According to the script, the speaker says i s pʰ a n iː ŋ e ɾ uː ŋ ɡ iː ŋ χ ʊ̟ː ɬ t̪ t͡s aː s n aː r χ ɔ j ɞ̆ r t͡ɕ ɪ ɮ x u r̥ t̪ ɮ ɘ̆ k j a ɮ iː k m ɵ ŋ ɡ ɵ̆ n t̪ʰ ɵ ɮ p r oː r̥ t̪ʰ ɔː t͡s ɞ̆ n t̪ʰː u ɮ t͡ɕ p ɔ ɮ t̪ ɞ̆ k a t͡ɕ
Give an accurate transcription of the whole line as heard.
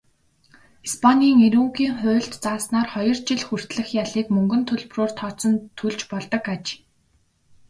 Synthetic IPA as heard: i s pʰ a n iː ŋ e ɾ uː ŋ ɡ iː ŋ χ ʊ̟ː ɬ t̪ t͡s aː s n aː r χ ɔ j ɞ̆ r t͡ɕ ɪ ɮ x u r̥ t̪ ɮ ɘ̆ x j a ɮ iː k m ɵ ŋ ɡ ɵ̆ n t̪ʰ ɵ ɮ p r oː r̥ t̪ʰ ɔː t͡s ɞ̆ n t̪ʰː u ɮ t͡ɕ p ɔ ɮ t̪ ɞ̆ k a t͡ɕ